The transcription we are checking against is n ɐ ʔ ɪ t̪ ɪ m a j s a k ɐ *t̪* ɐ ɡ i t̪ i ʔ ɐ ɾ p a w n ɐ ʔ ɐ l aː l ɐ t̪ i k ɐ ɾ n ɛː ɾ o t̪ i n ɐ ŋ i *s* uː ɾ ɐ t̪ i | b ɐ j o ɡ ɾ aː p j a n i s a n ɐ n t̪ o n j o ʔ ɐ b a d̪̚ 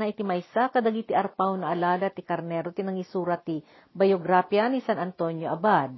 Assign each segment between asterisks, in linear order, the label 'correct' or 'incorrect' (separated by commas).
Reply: incorrect, correct